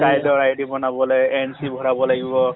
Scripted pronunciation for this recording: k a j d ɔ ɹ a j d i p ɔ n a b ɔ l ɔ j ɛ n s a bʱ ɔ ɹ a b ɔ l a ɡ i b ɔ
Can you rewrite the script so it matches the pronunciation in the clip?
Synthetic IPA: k a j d ɔ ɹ a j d i b ɔ n a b ɔ l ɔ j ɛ n s i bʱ ɔ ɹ a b ɔ l a ɡ i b ɔ